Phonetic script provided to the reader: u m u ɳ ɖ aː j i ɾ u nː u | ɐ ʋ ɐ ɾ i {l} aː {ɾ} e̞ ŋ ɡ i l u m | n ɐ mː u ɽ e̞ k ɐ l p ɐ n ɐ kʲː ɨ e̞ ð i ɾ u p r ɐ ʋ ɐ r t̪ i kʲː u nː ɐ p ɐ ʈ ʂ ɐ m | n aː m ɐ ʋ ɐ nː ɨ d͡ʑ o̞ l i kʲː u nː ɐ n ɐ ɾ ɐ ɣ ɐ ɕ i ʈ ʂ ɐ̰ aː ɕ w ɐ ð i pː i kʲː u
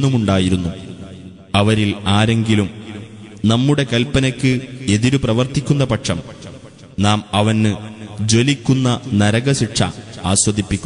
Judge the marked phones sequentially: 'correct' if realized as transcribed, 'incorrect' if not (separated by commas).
correct, correct